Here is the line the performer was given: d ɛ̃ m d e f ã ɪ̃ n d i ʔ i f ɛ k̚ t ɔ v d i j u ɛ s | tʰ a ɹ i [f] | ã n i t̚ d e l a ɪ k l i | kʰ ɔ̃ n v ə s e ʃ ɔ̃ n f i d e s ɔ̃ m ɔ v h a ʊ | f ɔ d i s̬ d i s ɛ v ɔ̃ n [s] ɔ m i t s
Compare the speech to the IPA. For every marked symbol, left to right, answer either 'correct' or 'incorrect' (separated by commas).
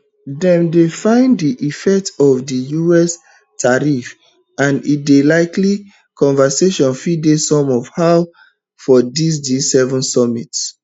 correct, correct